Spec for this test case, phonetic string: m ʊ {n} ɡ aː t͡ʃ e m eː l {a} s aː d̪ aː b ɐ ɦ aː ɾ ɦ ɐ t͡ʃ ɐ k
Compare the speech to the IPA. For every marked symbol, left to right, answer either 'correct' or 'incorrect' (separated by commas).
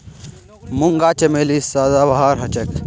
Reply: incorrect, incorrect